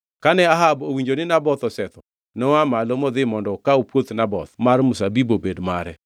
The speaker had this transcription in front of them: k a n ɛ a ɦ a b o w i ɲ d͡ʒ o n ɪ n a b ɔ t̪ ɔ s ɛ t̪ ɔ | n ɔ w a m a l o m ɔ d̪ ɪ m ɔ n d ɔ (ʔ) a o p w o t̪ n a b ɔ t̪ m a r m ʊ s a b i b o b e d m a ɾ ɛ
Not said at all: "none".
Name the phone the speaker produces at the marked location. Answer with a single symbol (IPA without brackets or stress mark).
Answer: k